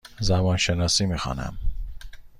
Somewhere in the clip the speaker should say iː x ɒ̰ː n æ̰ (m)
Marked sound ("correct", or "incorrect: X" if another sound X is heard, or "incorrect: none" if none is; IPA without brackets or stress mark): correct